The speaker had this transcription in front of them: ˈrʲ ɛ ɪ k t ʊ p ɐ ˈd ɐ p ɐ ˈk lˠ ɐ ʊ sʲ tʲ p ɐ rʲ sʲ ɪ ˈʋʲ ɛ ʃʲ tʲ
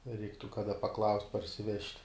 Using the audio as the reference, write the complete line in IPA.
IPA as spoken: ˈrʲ ɛ ɪ k t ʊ k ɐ ˈd ɐ p ɐ ˈk lˠ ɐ ʊ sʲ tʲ p ɐ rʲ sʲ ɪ ˈʋʲ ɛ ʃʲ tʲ